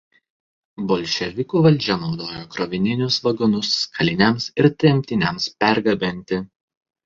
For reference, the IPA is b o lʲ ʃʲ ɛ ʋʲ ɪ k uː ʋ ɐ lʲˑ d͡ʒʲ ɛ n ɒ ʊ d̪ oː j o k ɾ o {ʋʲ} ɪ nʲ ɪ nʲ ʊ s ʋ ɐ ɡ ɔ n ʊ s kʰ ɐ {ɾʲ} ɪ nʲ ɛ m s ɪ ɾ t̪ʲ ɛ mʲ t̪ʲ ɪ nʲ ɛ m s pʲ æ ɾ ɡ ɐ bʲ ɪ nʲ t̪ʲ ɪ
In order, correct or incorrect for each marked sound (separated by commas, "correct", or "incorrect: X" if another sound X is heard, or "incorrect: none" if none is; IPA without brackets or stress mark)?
correct, incorrect: lʲ